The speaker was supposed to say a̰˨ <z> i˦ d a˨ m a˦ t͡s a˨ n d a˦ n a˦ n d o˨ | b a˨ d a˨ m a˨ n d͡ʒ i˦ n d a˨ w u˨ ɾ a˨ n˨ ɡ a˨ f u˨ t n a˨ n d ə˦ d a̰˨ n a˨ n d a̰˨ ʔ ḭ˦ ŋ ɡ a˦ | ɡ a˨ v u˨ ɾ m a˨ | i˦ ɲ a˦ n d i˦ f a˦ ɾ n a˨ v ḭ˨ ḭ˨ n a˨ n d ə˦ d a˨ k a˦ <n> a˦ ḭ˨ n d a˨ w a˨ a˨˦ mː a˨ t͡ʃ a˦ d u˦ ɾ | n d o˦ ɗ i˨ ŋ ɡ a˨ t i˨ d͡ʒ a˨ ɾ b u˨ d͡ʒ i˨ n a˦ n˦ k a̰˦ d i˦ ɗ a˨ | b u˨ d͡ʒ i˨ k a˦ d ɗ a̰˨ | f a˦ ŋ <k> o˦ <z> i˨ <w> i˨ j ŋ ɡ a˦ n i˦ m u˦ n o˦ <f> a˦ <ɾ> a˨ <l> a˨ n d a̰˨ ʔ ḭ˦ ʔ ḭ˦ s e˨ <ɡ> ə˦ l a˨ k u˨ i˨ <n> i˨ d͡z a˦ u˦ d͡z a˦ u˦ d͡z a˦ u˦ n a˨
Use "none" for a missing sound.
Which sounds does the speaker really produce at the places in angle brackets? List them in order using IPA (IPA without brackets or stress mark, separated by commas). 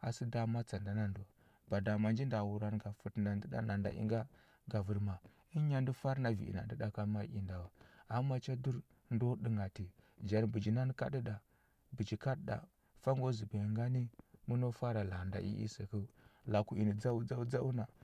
s, m, ɡ, z, b, f, ɾ, l, k, n